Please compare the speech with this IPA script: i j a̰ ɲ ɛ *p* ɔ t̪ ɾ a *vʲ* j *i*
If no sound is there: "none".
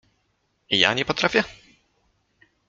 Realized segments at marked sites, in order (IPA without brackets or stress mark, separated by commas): p, fʲ, ɛ